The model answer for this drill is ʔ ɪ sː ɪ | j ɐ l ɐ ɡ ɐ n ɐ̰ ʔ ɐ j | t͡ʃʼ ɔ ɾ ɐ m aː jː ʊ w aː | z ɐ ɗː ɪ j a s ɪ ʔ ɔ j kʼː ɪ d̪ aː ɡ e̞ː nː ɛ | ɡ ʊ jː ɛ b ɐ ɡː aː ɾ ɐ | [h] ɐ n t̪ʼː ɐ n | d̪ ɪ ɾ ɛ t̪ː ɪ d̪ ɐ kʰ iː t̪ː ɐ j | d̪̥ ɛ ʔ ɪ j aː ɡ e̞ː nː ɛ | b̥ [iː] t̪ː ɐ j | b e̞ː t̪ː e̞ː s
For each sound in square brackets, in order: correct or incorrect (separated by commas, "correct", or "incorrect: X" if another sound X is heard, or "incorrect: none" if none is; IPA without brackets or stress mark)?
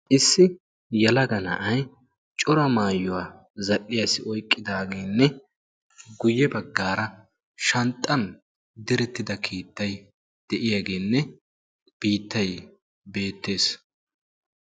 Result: incorrect: ʃ, correct